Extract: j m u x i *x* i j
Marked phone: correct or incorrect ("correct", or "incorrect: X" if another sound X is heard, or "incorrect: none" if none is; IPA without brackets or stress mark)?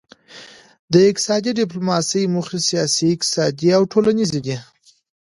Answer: incorrect: s